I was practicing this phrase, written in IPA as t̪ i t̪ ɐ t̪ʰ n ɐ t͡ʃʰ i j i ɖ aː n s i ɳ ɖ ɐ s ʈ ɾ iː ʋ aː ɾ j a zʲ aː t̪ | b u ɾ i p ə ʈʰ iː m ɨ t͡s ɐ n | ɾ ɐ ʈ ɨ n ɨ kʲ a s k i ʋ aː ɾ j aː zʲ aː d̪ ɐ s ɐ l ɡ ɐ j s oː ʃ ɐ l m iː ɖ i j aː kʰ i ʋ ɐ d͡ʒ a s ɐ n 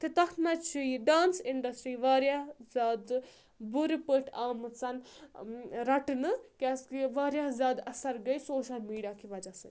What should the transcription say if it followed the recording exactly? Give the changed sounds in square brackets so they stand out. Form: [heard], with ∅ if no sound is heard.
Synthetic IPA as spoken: t̪ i t̪ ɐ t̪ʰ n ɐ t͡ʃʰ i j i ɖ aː n s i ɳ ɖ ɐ s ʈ ɾ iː ʋ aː ɾ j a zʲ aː [d̪] | b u ɾ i p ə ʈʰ [aː] m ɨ t͡s ɐ n | ɾ ɐ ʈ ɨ n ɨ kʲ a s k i ʋ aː ɾ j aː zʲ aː d̪ ɐ s ɐ [ɾ] ɡ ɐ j s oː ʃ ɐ l m iː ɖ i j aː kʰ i ʋ ɐ d͡ʒ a s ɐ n